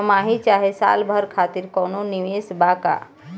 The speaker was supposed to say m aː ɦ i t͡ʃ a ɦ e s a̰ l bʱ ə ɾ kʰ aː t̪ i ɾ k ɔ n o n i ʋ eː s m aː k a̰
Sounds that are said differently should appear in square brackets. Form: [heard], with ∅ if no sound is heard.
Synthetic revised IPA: m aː ɦ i t͡ʃ a ɦ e s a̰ l bʱ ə ɾ kʰ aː t̪ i ɾ k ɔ n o n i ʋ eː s [b] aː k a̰